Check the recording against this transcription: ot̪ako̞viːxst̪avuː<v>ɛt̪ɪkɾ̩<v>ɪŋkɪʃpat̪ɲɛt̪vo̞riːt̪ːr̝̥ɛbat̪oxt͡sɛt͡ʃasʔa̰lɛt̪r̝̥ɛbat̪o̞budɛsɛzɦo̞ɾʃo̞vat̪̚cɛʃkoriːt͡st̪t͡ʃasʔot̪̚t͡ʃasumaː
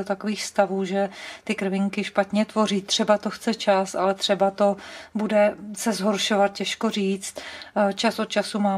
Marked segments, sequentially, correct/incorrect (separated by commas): incorrect, correct